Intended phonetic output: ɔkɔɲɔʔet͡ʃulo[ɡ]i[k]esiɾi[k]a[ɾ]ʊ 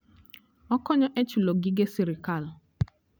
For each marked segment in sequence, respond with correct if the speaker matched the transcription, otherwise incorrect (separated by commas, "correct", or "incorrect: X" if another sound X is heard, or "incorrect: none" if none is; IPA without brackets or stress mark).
correct, incorrect: ɡ, correct, incorrect: l